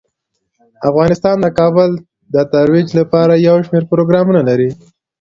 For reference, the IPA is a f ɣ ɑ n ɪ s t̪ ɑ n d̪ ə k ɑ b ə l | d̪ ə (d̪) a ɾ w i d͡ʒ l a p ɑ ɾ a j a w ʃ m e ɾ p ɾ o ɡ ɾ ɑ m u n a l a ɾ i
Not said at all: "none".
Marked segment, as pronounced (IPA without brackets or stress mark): t̪